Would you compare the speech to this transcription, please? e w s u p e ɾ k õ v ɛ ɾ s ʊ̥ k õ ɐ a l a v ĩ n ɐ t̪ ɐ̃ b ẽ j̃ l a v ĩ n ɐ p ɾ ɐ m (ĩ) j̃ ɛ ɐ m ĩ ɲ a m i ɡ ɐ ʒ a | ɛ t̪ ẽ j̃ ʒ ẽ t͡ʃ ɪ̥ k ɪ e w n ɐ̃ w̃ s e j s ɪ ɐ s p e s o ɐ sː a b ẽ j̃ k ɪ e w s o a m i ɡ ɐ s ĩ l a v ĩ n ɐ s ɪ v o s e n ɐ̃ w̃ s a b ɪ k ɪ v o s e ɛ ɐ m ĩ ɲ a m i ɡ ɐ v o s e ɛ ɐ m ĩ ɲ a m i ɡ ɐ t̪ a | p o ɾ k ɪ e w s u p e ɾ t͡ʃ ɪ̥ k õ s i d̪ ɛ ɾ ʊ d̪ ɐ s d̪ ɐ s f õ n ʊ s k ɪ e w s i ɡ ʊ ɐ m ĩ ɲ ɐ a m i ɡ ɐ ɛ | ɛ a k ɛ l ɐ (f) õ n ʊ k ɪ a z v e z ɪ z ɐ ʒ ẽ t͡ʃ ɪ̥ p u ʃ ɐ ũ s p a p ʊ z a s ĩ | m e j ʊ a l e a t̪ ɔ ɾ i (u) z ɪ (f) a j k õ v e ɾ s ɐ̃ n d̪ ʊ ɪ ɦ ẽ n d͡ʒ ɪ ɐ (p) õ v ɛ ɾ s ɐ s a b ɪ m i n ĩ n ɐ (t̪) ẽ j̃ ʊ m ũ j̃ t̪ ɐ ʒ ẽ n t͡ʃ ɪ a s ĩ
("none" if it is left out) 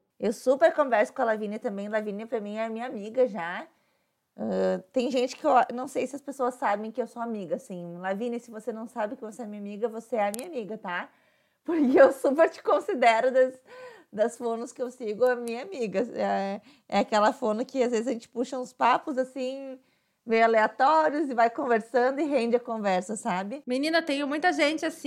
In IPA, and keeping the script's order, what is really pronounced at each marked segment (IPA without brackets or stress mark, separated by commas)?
ĩ, f, ʊ, v, k, t̪